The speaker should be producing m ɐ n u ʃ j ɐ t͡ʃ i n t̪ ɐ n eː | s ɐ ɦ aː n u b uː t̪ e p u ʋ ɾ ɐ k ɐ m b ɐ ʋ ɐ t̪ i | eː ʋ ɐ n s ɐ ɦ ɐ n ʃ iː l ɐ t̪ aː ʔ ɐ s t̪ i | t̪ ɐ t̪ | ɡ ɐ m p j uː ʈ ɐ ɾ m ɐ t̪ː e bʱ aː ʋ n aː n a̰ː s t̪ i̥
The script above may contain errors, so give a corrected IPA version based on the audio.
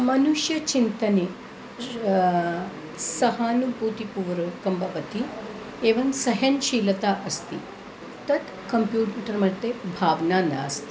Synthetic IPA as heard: m ɐ n u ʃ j ɐ t͡ʃ i n t̪ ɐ n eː | s ɐ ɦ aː n u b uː t̪ i p u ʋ ɾ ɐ k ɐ m b ɐ ʋ ɐ t̪ i | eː ʋ ɐ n s ɐ ɦ ɐ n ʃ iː l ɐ t̪ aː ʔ ɐ s t̪ i | t̪ ɐ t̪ | k ɐ m p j uː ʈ ɐ ɾ m ɐ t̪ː e bʱ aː ʋ n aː n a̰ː s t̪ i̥